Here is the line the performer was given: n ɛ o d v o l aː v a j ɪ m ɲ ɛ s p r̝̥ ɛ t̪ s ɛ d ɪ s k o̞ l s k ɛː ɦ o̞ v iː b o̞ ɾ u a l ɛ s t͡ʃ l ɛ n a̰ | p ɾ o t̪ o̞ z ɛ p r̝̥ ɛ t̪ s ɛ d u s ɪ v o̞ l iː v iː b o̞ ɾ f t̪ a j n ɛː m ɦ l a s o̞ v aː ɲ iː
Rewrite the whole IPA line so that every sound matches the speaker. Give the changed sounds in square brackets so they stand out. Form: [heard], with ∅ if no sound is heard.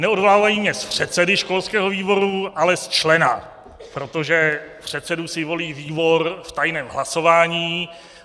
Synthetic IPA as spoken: n ɛ o d v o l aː v a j [i] m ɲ ɛ s p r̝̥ ɛ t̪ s ɛ d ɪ [ʃ] k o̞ l s k ɛː ɦ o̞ v iː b o̞ ɾ u a l ɛ s t͡ʃ l ɛ n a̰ | p ɾ o t̪ o̞ [ʒ] ɛ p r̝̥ ɛ t̪ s ɛ d u s ɪ v o̞ l iː v iː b o̞ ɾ f t̪ a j n ɛː m ɦ l a s o̞ v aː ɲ iː